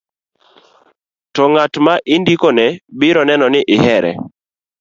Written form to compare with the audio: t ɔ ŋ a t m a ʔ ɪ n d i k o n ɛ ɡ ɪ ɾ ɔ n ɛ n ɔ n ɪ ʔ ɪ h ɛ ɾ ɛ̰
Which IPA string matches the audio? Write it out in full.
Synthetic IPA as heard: t ɔ ŋ a t m a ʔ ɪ n d i k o n ɛ b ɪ ɾ ɔ n ɛ n ɔ n ɪ ʔ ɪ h ɛ ɾ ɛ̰